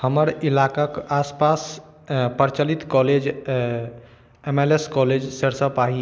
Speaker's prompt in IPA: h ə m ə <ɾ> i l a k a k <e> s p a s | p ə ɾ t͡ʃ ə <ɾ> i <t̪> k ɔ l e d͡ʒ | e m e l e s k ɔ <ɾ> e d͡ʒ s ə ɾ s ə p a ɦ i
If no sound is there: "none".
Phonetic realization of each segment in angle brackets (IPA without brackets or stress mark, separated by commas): ɾ, a, l, t̪, l